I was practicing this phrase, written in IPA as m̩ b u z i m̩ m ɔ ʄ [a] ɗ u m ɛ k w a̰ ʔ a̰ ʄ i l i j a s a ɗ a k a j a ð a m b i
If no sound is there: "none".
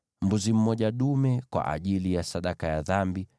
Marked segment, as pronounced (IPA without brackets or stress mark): a